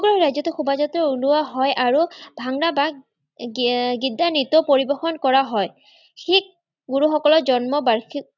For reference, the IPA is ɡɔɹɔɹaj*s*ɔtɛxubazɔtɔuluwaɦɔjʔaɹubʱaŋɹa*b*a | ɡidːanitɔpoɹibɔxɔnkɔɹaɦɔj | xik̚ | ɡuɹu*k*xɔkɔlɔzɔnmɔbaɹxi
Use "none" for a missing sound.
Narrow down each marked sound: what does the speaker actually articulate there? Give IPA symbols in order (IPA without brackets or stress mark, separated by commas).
z, b, none